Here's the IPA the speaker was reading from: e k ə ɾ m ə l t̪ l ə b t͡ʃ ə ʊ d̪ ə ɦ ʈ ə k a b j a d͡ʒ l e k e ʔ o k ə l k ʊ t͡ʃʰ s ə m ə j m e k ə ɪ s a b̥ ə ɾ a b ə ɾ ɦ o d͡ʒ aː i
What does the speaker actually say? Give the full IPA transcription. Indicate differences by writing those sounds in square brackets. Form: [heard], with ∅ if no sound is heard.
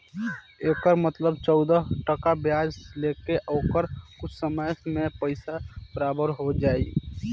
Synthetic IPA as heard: e k ə ɾ m ə [∅] t̪ l ə b t͡ʃ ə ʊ d̪ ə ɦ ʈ ə k a b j a d͡ʒ l e k e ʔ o k ə [ɾ] k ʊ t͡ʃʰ s ə m ə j m e [p] ə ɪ s a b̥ ə ɾ a b ə ɾ ɦ o d͡ʒ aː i